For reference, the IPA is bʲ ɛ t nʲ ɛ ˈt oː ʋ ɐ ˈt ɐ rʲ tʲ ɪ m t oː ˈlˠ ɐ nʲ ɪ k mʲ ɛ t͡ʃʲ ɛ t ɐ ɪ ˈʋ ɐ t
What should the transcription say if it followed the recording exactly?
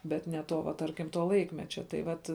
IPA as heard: bʲ ɛ t nʲ ɛ ˈt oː ʋ ɐ ˈt ɐ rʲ kʲ ɪ m t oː ˈlˠ ɐ ɪ k mʲ ɛ t͡ʃʲ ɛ t ɐ ɪ ˈʋ ɐ t